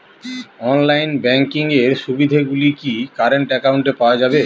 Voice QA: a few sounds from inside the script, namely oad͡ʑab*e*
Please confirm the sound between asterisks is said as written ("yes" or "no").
yes